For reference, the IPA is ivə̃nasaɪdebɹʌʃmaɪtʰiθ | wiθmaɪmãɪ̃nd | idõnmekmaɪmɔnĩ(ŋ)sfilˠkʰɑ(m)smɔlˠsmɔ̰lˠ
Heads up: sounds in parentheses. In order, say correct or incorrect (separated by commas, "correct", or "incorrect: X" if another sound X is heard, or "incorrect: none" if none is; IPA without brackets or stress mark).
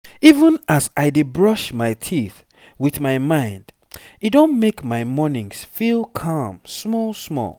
correct, correct